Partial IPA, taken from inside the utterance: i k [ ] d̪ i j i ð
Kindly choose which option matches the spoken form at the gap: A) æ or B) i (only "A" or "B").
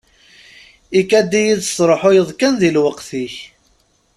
A